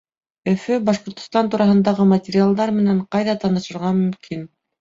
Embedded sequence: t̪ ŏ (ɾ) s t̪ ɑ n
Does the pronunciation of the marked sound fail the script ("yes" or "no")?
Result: yes